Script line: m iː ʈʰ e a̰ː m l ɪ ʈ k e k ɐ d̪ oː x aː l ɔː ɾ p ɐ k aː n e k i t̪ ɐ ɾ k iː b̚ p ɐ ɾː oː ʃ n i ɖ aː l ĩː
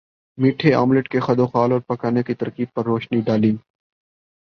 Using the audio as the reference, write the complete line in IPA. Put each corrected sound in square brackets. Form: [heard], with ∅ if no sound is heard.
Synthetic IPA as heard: m iː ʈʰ e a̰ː m l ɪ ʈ k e [x] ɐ d̪ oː x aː l ɔː ɾ p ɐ k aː n e k i t̪ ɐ ɾ k iː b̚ p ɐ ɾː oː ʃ n i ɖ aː l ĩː